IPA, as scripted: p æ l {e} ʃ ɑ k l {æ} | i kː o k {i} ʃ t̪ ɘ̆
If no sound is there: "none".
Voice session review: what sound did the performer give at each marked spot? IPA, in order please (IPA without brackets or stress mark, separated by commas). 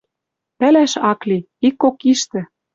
æ, i, i